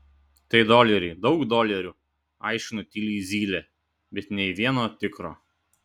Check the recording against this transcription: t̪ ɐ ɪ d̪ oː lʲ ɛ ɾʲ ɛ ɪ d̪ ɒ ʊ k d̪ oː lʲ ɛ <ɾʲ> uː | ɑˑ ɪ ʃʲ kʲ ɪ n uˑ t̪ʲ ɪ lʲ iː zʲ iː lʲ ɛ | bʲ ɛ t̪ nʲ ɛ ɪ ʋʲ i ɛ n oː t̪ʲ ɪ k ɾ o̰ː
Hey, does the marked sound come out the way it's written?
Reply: yes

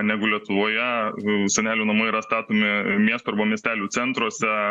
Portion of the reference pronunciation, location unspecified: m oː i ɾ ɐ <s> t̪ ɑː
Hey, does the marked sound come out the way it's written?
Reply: yes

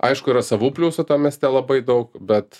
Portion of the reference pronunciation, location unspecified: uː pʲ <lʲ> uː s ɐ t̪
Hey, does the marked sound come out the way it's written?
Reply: yes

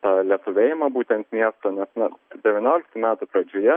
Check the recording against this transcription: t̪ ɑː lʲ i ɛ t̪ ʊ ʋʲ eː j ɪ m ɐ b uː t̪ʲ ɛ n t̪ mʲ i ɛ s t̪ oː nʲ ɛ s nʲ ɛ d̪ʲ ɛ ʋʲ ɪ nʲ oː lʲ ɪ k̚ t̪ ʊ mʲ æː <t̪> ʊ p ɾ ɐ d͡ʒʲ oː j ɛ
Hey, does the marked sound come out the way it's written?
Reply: yes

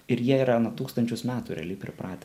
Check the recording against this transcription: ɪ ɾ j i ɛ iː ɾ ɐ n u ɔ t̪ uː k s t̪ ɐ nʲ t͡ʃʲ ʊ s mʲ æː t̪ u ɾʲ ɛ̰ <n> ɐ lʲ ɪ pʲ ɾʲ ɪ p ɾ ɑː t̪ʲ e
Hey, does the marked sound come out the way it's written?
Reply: no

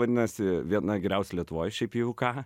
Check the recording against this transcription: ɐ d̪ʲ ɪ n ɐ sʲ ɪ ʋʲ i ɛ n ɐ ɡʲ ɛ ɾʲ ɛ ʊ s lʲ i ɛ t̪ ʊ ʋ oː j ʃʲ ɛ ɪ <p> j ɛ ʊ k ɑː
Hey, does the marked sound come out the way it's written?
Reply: yes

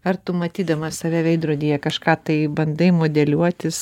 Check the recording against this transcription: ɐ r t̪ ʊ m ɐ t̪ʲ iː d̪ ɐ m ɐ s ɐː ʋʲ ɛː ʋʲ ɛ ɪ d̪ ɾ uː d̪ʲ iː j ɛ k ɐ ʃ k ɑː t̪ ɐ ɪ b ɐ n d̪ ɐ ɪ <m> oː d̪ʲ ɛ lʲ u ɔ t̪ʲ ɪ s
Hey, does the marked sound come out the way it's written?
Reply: yes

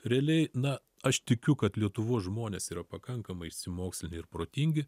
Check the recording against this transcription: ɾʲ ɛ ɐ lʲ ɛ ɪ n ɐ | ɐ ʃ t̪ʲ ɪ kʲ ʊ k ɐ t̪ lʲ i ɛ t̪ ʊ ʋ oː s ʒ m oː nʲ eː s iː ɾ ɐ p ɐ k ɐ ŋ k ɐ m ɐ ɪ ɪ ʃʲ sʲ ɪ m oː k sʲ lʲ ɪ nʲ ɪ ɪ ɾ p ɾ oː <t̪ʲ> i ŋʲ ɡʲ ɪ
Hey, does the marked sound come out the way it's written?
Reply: yes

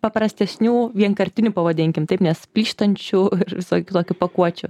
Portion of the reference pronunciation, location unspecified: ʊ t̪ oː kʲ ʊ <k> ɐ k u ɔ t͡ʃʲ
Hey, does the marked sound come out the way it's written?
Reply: no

